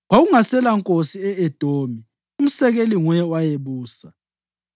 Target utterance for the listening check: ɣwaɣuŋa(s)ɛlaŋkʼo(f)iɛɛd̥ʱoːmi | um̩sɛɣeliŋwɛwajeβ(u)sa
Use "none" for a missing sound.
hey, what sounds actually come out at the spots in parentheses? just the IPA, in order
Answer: s, s, uː

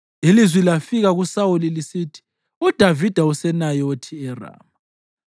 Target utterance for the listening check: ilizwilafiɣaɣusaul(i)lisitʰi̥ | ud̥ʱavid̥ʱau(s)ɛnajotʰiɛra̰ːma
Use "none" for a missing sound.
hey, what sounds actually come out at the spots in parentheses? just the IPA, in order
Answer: i, s

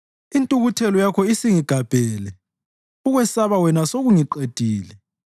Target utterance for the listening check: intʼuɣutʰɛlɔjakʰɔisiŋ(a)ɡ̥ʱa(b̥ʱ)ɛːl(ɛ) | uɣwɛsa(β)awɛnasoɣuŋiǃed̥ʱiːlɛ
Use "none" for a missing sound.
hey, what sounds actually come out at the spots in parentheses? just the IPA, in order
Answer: i, b̥ʱ, ɛ, β

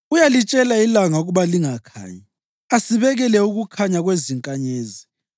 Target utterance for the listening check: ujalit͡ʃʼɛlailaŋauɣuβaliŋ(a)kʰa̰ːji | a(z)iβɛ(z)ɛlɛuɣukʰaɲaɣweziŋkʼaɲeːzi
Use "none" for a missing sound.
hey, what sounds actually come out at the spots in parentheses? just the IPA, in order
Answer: a, s, ɣ

